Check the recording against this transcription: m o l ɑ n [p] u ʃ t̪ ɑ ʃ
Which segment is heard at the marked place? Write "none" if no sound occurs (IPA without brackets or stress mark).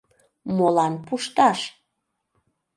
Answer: p